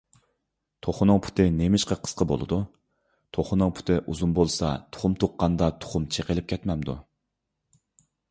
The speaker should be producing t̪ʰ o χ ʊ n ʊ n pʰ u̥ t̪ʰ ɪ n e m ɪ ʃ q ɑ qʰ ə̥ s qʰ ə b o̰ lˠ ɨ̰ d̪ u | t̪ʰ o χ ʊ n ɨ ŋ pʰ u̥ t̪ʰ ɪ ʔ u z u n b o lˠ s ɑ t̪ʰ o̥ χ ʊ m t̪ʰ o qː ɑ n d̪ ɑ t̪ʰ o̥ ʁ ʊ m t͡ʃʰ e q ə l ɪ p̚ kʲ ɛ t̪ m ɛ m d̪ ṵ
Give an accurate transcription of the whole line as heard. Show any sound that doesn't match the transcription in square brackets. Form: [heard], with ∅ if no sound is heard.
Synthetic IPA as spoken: t̪ʰ o χ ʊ n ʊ [ŋ] pʰ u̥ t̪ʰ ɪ n e m ɪ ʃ q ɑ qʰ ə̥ s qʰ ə b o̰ lˠ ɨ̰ d̪ u | t̪ʰ o χ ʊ n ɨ ŋ pʰ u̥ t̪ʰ ɪ ʔ u z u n b o lˠ s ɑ t̪ʰ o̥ χ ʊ m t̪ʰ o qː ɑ n d̪ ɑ t̪ʰ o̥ [χ] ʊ m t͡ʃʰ e q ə l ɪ p̚ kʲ ɛ t̪ m ɛ m d̪ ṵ

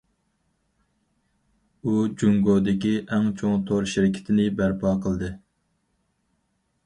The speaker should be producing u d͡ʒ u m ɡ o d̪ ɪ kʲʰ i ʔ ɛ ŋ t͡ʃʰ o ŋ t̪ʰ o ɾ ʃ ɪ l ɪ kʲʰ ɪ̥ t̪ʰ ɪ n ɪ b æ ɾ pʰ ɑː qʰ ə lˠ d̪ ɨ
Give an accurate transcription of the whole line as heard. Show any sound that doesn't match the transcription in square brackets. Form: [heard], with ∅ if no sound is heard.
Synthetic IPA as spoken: u d͡ʒ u [ŋ] ɡ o d̪ ɪ [kʲ] i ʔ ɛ ŋ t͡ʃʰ o ŋ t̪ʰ o ɾ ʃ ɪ [ɾ] ɪ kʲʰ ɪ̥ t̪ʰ ɪ n ɪ b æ ɾ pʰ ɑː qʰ ə lˠ d̪ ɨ

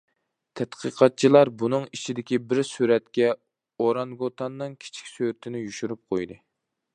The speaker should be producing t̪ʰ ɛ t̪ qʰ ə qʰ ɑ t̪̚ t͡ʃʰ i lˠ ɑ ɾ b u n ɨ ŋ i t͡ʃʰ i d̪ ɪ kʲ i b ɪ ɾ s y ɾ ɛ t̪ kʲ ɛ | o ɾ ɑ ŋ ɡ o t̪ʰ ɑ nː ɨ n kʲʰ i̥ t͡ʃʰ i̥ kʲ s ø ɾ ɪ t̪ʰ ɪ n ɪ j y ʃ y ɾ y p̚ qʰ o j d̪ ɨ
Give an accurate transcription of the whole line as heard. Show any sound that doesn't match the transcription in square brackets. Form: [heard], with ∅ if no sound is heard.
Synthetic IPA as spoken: t̪ʰ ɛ t̪ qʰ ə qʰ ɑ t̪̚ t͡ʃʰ i lˠ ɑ ɾ b u n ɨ ŋ i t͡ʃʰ i d̪ ɪ kʲ i b ɪ ɾ s y ɾ ɛ t̪ kʲ ɛ | o ɾ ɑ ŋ ɡ o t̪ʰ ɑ nː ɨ [ŋ] kʲʰ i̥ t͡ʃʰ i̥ kʲ s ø ɾ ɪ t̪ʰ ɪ n ɪ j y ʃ y ɾ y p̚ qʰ o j d̪ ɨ

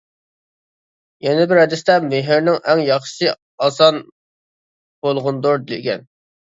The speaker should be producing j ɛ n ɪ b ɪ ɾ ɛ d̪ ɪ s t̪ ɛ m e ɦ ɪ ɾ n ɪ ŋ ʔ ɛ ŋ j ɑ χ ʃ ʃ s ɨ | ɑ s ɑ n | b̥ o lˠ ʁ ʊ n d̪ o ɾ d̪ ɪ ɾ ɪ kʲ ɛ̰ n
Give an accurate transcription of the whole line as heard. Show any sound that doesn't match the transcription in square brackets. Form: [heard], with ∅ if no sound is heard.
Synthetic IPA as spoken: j ɛ n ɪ b ɪ ɾ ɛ d̪ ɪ s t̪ ɛ m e ɦ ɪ ɾ n ɪ ŋ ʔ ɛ ŋ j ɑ χ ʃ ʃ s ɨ | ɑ s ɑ n | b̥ o lˠ ʁ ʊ n d̪ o ɾ d̪ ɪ [l] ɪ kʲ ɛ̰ n

